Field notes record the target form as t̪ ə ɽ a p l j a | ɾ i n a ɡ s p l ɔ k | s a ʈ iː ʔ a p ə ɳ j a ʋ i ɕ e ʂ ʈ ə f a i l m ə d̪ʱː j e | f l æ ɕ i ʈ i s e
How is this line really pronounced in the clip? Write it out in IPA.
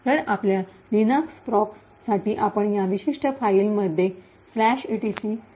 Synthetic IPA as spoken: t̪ ə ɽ a p l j a | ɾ i n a k s p ɾ ɔ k | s a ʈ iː ʔ a p ə ɳ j a ʋ i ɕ i ʂ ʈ ə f a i l m ə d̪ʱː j e | f l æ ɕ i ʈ i s i